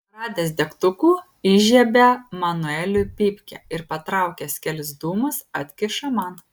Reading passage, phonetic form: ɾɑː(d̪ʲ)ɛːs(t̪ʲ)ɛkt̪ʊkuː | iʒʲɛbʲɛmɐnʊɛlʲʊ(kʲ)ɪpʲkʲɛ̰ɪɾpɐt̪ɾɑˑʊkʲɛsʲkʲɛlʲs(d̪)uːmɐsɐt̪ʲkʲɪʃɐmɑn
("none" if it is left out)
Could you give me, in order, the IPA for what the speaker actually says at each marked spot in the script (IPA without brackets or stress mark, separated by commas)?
d̪ʲ, d̪ʲ, pʲ, d̪